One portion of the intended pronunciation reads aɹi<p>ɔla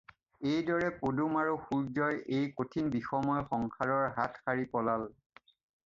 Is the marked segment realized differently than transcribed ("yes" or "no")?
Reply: no